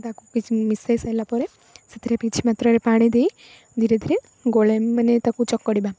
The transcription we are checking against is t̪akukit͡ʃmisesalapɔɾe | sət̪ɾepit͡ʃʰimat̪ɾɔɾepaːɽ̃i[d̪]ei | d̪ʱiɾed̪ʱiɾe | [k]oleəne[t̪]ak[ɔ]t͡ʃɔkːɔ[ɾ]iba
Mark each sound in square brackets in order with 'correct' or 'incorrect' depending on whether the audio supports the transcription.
correct, incorrect: ɡ, correct, incorrect: u, incorrect: ɽ

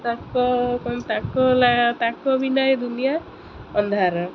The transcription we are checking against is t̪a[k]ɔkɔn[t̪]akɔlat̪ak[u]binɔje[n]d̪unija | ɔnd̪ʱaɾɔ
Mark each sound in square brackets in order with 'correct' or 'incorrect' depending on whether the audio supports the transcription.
correct, correct, incorrect: ɔ, incorrect: none

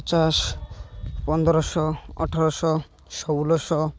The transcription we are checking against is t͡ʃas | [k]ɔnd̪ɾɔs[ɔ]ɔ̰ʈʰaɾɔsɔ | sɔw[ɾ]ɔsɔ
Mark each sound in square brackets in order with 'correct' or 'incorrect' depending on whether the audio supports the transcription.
incorrect: p, correct, incorrect: l

